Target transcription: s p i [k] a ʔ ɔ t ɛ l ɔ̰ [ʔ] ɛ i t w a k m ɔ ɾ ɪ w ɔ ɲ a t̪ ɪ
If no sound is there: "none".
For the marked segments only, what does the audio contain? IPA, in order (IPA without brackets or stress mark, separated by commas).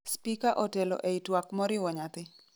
k, ʔ